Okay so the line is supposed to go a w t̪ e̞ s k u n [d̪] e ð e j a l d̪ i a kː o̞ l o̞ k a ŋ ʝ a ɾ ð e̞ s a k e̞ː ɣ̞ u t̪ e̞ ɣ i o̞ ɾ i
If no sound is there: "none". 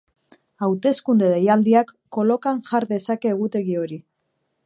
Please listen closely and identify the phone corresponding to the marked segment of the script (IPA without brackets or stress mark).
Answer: d̪